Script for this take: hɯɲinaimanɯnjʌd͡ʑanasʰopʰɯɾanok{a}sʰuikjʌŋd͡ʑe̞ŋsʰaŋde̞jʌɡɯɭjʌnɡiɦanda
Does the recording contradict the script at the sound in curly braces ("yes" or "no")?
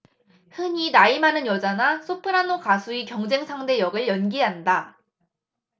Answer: no